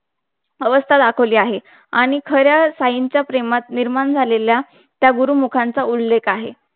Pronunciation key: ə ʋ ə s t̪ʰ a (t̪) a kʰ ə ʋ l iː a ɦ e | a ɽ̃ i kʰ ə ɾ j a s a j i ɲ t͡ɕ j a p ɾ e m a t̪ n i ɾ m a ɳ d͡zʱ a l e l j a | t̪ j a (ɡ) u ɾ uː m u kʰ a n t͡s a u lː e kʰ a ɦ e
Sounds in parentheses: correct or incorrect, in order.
incorrect: d̪, correct

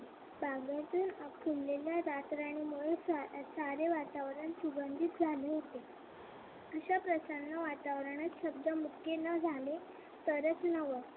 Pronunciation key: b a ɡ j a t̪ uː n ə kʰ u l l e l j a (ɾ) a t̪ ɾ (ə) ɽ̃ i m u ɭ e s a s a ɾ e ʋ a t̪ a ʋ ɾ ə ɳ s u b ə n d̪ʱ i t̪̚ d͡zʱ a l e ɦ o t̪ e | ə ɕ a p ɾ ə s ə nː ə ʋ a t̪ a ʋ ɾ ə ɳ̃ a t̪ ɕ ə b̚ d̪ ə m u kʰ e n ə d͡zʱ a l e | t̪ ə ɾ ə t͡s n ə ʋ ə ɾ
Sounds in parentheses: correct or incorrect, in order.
correct, incorrect: a

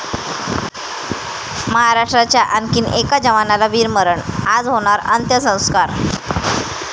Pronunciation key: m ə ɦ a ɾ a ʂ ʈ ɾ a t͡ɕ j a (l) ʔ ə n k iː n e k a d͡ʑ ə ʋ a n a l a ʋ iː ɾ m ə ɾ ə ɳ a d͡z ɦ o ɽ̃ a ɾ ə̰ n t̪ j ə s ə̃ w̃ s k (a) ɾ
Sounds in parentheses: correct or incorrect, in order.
incorrect: none, correct

